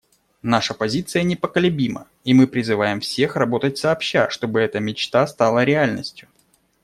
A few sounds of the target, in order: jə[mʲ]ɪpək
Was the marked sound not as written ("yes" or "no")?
yes